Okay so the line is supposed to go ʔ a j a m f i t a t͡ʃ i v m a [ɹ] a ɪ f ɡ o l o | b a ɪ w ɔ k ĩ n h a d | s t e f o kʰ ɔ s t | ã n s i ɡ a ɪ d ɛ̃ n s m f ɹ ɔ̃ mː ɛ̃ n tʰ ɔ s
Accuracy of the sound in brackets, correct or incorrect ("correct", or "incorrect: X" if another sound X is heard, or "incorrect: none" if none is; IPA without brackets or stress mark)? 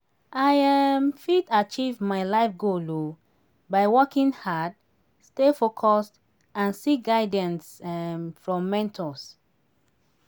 incorrect: l